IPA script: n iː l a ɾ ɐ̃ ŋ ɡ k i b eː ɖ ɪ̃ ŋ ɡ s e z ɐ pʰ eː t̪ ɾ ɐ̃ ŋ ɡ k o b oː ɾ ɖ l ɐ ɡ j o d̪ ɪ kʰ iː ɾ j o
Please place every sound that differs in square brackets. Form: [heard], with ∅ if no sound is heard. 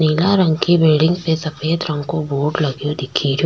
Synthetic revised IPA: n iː l a ɾ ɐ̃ ŋ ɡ k i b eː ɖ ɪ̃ ŋ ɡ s e [s] ɐ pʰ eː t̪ ɾ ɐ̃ ŋ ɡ k o b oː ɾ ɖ l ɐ ɡ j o d̪ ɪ kʰ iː ɾ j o

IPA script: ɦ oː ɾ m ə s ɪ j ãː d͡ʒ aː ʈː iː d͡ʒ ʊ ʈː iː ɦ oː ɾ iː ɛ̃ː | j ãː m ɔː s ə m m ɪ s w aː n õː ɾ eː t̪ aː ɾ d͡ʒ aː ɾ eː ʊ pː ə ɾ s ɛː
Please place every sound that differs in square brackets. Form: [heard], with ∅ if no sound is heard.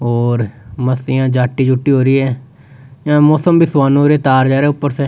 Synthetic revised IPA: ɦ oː ɾ m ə s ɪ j ãː d͡ʒ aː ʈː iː d͡ʒ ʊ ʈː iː ɦ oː ɾ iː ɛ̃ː | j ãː m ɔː s ə m [b] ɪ s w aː n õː ɾ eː t̪ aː ɾ d͡ʒ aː ɾ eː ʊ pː ə ɾ s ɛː

